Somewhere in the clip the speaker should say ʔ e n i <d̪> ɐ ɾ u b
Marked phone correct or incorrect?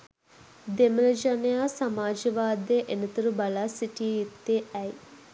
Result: incorrect